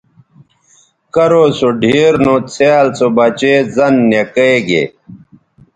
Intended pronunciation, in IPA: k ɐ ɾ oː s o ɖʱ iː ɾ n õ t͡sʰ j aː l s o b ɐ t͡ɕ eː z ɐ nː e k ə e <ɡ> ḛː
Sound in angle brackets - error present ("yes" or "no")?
no